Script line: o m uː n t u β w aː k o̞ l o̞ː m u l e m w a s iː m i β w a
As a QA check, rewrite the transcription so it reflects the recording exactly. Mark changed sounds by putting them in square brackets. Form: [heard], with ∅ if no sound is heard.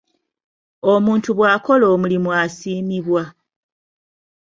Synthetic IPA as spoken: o m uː n t u β w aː k o̞ l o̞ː m u l [i] m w a s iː m i β w a